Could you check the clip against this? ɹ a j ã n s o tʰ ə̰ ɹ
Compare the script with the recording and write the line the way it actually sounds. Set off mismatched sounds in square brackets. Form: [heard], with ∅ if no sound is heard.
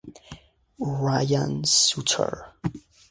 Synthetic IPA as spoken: ɹ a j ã n s [u] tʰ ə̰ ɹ